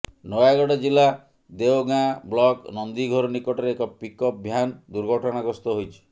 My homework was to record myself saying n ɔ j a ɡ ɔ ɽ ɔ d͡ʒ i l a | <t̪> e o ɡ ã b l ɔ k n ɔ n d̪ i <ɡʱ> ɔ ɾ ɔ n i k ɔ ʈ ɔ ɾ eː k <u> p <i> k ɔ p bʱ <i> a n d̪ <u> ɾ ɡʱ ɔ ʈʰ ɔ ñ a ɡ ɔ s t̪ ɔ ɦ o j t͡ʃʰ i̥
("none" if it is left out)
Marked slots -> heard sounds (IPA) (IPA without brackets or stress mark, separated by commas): d̪, ɡʱ, ɔ, i, j, u